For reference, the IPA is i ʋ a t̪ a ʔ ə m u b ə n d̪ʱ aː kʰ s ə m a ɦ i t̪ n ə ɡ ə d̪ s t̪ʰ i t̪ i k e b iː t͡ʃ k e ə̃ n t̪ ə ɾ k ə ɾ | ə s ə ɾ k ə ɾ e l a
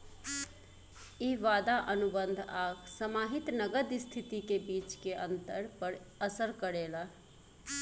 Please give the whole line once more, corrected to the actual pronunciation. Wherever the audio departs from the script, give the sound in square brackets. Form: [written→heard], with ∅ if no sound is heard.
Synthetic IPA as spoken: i ʋ a [t̪→d̪] a ʔ ə [m→n] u b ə n d̪ʱ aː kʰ s ə m a ɦ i t̪ n ə ɡ ə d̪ s t̪ʰ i t̪ i k e b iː t͡ʃ k e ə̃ n t̪ ə ɾ [k→p] ə ɾ | ə s ə ɾ k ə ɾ e l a